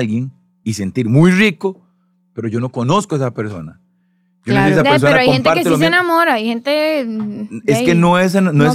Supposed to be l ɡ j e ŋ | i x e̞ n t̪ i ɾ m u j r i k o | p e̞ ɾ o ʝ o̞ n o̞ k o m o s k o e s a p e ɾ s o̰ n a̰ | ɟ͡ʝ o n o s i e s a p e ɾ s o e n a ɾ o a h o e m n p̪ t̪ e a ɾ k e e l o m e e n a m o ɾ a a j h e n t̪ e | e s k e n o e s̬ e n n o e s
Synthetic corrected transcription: l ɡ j e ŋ | i s e̞ n t̪ i ɾ m u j r i k o | p e̞ ɾ o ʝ o̞ n o̞ k o n o s k o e s a p e ɾ s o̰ n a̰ | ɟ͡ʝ o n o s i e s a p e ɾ s o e n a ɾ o a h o e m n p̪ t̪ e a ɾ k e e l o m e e n a m o ɾ a a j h e n t̪ e | e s k e n o e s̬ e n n o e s